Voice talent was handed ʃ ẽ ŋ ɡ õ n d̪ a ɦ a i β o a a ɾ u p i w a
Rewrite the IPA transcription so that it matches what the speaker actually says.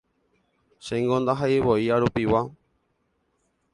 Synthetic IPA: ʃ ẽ ŋ ɡ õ n d̪ a ɦ a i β o i a ɾ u p i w a